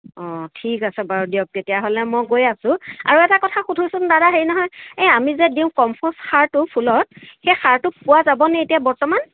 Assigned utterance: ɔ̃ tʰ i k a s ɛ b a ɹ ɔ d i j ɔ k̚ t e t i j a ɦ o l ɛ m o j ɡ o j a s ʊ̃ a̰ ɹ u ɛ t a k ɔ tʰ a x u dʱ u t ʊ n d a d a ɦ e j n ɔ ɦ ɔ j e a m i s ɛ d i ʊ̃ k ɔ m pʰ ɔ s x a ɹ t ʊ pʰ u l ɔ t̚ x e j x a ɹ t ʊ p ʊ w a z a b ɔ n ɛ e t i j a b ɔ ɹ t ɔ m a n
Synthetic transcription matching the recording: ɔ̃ tʰ i k a s ɛ b a ɹ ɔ d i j ɔ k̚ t e t i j a ɦ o l ɛ m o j ɡ o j a s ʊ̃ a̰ ɹ u ɛ t a k ɔ tʰ a x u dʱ u s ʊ n d a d a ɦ e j n ɔ ɦ ɔ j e a m i z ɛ d i ʊ̃ k ɔ m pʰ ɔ s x a ɹ t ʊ pʰ u l ɔ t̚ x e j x a ɹ t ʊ p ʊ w a z a b ɔ n ɛ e t i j a b ɔ ɹ t ɔ m a n